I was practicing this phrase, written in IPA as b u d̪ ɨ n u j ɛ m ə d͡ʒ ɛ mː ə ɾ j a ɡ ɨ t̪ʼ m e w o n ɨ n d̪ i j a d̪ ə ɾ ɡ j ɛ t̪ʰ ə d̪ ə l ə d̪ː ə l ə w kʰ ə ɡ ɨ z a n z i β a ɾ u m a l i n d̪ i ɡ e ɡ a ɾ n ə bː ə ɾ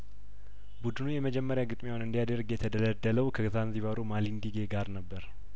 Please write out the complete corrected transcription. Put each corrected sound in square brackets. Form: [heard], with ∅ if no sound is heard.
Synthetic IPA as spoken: b u d̪ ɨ n u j ɛ m ə d͡ʒ ɛ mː ə ɾ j a ɡ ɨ t̪ʼ m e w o n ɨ n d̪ i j a d̪ ə ɾ ɡ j ɛ t̪ʰ ə d̪ ə l ə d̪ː ə l ə w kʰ ə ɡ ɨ z a n z i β a ɾ u m a l i n d̪ i ɡ e ɡ a ɾ n ə bː ə ɾ